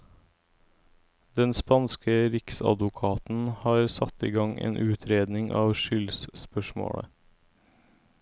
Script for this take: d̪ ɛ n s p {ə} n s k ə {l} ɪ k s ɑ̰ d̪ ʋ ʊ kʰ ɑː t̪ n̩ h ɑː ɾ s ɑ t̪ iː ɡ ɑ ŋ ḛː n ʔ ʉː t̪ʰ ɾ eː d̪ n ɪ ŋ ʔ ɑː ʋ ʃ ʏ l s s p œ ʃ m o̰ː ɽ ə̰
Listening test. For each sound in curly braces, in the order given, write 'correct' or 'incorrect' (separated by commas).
incorrect, incorrect